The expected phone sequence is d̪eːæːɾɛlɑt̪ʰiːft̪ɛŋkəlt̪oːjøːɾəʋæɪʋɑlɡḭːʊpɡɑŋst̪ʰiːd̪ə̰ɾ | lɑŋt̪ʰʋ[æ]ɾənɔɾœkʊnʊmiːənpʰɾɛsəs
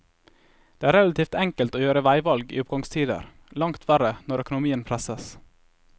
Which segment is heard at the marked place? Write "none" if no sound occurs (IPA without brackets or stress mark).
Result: æ